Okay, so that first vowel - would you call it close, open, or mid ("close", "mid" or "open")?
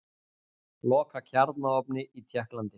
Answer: mid